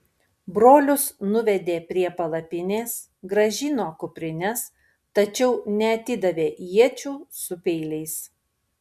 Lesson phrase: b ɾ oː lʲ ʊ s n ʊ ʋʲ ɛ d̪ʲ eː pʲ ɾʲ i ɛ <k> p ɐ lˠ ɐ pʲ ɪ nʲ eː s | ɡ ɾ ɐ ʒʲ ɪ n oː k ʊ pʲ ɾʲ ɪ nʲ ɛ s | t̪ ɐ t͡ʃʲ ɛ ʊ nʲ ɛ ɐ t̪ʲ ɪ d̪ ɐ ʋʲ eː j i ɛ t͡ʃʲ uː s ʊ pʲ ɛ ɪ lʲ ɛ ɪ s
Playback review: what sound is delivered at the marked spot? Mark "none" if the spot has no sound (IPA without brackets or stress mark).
none